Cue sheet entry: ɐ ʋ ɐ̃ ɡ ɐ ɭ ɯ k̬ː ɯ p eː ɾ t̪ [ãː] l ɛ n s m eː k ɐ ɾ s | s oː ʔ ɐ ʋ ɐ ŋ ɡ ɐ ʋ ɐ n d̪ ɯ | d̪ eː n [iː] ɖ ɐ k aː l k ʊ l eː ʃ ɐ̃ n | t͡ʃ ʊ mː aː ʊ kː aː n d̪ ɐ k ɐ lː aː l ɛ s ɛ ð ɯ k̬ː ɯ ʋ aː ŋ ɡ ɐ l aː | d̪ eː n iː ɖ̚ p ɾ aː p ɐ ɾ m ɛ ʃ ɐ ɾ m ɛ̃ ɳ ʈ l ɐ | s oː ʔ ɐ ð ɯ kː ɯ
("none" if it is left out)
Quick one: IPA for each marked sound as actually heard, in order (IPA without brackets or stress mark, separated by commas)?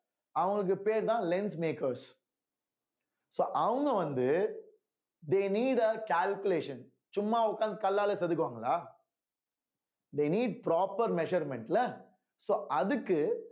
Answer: ãː, iː